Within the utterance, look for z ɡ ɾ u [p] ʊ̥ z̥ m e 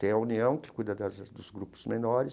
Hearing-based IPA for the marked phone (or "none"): p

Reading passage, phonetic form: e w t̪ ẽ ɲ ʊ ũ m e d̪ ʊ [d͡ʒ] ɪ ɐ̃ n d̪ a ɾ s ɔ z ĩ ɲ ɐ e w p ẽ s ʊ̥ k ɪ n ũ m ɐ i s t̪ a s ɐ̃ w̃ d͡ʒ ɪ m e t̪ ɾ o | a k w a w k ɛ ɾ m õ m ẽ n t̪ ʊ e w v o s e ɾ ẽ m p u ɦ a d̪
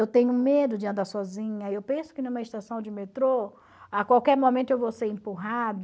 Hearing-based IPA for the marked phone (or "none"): d͡ʒ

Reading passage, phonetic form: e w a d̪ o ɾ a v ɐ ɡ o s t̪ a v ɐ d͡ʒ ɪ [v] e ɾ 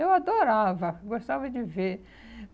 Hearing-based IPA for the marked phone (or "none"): v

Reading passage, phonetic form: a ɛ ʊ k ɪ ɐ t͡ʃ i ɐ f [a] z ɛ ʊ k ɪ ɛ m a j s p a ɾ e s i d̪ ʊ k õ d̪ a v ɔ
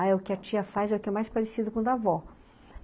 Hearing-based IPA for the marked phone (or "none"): a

